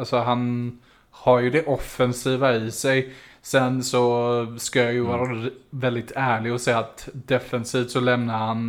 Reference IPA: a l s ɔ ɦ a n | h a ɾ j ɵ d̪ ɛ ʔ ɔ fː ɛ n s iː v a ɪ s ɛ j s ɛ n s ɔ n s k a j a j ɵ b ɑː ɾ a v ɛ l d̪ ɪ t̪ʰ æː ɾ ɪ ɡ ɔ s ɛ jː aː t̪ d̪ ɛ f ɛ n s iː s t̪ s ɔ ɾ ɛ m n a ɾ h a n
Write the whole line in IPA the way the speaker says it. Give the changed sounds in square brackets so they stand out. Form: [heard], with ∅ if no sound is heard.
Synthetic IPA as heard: a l s ɔ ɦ a n | h a ɾ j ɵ d̪ ɛ ʔ ɔ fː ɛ n s iː v a ɪ s ɛ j s ɛ n s ɔ [∅] s k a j a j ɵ [v] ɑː ɾ a v ɛ l d̪ ɪ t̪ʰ æː [ɭ] ɪ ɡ ɔ s ɛ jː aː t̪ d̪ ɛ f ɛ n s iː [f] t̪ s ɔ [l] ɛ m n a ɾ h a n